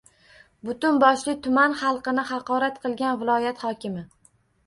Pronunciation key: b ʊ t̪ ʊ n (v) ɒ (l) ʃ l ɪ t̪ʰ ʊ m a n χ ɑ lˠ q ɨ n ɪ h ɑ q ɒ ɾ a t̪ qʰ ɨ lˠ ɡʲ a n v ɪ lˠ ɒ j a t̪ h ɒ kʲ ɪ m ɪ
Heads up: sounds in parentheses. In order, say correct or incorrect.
incorrect: b, incorrect: none

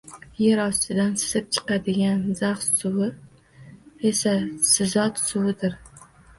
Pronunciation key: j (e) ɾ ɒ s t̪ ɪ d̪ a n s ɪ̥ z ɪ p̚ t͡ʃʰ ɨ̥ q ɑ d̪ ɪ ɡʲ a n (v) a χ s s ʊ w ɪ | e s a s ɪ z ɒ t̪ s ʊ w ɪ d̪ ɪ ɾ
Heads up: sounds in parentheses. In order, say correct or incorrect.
correct, incorrect: z

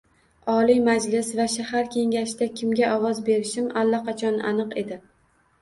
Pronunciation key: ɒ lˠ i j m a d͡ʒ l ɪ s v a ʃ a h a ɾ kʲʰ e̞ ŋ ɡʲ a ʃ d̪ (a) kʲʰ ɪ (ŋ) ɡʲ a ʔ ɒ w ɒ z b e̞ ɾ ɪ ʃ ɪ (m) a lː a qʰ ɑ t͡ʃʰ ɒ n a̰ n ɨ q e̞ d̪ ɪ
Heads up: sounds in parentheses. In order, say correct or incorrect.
correct, incorrect: m, correct

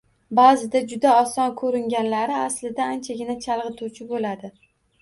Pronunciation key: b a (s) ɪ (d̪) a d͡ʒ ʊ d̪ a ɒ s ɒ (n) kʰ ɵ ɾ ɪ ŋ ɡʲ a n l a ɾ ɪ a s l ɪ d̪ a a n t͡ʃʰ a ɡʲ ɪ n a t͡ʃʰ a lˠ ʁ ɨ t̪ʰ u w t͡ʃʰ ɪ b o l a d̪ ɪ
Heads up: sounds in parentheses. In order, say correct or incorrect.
incorrect: z, correct, correct

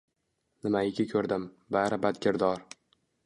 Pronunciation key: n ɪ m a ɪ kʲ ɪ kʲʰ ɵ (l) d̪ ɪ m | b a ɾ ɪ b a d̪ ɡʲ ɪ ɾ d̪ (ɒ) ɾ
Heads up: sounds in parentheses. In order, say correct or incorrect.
incorrect: ɾ, correct

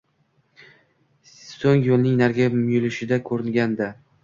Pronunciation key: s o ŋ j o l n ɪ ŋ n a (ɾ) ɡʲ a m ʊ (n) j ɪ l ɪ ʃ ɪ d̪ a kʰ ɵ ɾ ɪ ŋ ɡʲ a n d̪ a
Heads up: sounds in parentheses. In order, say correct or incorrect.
correct, incorrect: none

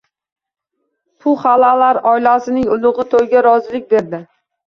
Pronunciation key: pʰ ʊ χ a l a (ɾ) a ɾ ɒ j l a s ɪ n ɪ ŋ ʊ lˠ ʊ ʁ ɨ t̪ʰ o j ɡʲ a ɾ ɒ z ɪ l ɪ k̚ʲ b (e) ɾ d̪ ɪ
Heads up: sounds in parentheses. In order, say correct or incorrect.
incorrect: l, correct

